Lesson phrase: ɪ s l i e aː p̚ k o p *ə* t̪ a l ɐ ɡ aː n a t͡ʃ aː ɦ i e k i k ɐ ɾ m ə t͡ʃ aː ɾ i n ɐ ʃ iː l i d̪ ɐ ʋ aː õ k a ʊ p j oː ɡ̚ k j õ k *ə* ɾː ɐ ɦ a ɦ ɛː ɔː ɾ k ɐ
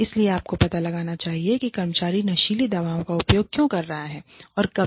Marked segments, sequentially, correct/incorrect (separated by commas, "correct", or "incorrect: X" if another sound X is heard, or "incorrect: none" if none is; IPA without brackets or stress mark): incorrect: ɐ, incorrect: ɐ